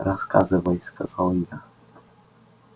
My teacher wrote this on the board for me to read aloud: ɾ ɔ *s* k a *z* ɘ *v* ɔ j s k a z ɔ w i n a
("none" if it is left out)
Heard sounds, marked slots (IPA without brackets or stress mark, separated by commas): s, z, v